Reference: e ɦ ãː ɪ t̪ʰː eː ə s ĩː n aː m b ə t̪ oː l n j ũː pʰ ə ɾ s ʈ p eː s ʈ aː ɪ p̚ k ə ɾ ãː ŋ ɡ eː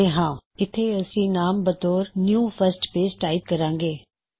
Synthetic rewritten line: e ɦ ãː ɪ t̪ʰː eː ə s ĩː n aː m b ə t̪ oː ɾ n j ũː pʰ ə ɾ s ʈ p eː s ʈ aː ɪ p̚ k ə ɾ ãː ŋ ɡ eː